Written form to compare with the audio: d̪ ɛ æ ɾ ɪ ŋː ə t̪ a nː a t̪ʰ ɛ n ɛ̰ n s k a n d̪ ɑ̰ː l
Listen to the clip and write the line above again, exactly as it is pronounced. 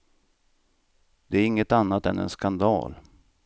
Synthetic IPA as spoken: d̪ ɛ æ ɾ ɪ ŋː ə t̪ a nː a t̪ ɛ n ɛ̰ n s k a n d̪ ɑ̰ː l